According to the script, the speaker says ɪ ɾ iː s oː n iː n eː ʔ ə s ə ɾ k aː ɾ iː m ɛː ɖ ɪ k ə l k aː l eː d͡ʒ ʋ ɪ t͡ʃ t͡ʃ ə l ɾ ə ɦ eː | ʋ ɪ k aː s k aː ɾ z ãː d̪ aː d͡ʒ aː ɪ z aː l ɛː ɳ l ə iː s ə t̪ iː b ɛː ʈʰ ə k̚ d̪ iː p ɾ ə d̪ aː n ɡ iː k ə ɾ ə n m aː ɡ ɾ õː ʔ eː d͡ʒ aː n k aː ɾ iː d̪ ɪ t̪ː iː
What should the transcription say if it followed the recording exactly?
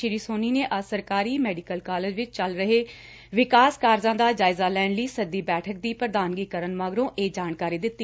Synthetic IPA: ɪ ɾ iː s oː n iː n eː ʔ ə s ə ɾ k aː ɾ iː m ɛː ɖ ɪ k ə l k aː l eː d͡ʒ ʋ ɪ t͡ʃ t͡ʃ ə l ɾ ə ɦ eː | ʋ ɪ k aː s k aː ɾ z ãː d̪ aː d͡ʒ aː ɪ z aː l ɛː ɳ l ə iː s ə d̪ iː b ɛː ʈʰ ə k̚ d̪ iː p ɾ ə d̪ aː n ɡ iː k ə ɾ ə n m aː ɡ ɾ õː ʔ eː d͡ʒ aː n k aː ɾ iː d̪ ɪ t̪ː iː